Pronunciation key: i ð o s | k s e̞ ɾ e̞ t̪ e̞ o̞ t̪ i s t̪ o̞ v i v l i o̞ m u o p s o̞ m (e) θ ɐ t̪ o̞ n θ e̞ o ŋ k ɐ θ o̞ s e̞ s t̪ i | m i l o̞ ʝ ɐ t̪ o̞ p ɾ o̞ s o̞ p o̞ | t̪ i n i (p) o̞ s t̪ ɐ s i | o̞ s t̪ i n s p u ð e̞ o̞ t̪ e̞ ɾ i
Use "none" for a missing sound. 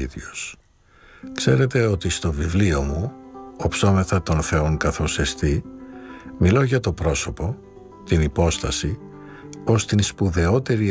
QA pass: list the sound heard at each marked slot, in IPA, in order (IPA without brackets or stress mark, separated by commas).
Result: e, p